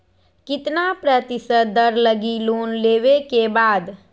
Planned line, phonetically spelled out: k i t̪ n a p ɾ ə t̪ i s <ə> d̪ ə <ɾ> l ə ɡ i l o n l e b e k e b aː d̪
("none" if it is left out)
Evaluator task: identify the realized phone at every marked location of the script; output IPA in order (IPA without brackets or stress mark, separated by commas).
ə, ɾ